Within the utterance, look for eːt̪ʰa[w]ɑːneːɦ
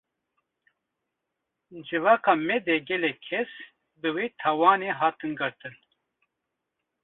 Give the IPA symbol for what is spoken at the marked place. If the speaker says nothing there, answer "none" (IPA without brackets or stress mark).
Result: w